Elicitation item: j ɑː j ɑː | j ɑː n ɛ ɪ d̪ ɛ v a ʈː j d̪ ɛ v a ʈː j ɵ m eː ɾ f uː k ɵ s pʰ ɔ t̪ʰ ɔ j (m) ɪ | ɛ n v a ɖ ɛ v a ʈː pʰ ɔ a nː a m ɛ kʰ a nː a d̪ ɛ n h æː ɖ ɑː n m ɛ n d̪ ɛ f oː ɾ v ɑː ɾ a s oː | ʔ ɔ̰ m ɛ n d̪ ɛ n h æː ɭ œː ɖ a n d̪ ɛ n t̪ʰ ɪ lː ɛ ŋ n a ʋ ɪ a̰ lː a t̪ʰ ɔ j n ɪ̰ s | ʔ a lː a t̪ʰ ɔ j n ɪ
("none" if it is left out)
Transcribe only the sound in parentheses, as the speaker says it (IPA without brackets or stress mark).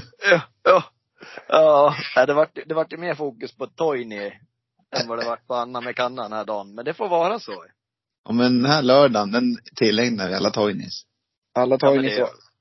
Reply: n